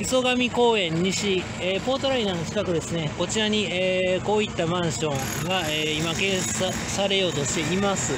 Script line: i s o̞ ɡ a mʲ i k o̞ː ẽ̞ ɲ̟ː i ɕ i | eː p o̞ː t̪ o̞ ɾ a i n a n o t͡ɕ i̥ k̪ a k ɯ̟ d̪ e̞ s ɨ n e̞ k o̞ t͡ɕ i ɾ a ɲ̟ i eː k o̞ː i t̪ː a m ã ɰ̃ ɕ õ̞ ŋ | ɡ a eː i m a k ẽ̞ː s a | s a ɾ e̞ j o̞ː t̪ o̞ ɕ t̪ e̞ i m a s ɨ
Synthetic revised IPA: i s o̞ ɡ a mʲ i k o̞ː ẽ̞ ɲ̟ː i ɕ i | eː p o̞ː t̪ o̞ ɾ a i n a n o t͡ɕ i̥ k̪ a k ɯ̟ d̪ e̞ s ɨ n e̞ k o̞ t͡ɕ i ɾ a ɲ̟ i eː k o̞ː i t̪ː a m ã ɰ̃ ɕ õ̞ ŋ | ɡ a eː i m a k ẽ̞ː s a | s a ɾ e̞ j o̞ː t̪ o̞ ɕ t̪ e̞ i m a s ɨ